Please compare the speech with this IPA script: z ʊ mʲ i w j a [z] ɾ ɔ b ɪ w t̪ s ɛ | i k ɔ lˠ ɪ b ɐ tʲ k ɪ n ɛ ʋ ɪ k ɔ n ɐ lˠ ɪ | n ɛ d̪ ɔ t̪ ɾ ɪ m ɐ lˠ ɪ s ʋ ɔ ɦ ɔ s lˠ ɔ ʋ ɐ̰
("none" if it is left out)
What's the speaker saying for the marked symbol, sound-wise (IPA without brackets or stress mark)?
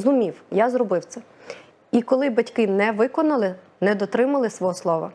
z